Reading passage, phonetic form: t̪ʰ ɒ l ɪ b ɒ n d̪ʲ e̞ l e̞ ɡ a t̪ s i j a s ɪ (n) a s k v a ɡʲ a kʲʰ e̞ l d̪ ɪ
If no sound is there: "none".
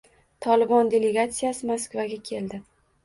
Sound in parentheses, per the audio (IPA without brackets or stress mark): m